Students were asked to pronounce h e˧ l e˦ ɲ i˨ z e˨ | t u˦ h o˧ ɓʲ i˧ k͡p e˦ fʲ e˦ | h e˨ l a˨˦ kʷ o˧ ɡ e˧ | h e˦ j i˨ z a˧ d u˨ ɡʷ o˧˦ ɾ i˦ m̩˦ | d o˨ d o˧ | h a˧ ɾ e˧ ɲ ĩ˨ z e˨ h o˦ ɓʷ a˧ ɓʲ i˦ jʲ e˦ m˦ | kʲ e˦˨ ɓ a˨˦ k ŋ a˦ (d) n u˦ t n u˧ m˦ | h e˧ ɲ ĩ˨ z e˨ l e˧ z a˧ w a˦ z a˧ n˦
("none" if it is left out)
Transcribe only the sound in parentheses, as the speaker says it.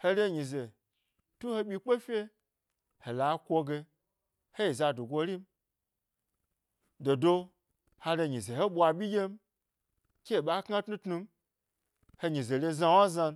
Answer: t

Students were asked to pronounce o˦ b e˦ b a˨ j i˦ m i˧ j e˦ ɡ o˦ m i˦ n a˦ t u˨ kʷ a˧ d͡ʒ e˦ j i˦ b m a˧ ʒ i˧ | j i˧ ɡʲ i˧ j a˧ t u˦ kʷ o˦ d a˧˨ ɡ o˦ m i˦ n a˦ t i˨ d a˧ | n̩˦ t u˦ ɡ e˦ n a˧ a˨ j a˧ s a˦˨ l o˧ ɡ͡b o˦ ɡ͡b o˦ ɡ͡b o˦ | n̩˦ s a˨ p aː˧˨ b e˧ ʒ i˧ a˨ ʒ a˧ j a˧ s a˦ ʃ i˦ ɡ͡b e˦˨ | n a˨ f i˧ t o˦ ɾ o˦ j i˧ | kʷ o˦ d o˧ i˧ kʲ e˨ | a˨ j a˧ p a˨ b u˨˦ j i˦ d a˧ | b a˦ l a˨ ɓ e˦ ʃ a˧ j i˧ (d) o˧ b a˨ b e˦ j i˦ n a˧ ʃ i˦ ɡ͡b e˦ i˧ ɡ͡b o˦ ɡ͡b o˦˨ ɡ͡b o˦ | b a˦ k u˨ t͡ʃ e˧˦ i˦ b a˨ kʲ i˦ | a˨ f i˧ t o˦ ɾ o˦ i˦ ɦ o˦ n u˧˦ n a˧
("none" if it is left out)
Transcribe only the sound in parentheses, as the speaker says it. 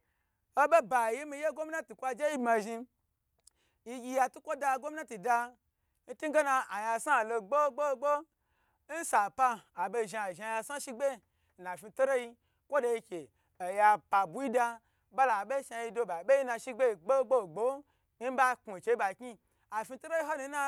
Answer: d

